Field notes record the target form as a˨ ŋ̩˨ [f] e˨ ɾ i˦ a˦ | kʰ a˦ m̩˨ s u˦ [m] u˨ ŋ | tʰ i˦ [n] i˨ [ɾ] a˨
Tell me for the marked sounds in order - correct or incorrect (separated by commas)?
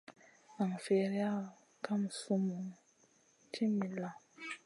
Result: correct, correct, incorrect, incorrect